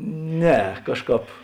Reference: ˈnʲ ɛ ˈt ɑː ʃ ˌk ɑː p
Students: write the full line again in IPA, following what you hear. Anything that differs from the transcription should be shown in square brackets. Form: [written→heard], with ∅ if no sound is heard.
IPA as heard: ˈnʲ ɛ [ˈt→ˈk] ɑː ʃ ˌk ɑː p